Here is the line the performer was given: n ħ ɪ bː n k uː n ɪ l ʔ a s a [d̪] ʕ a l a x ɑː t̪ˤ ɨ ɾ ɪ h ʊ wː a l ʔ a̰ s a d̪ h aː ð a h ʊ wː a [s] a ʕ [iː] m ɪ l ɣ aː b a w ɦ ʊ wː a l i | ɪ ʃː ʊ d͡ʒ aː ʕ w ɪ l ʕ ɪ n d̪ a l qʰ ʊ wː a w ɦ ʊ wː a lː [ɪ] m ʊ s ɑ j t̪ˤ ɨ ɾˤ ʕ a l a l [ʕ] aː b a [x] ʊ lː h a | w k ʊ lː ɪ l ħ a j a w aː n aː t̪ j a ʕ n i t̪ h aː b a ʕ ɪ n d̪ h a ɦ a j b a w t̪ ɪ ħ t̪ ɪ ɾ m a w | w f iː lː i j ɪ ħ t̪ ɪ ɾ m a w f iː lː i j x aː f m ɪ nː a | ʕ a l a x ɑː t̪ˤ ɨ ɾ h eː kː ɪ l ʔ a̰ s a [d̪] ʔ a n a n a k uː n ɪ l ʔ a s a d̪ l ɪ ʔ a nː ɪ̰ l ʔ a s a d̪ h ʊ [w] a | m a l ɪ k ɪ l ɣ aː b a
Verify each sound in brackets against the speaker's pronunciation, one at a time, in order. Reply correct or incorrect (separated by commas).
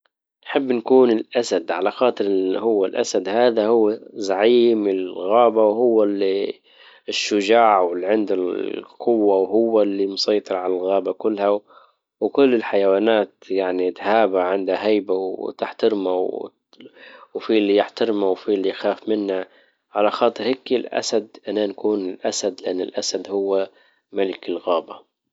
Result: correct, incorrect, correct, incorrect, incorrect, incorrect, correct, incorrect